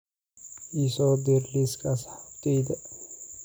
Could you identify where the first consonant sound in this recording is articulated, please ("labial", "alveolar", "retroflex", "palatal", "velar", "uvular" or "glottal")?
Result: alveolar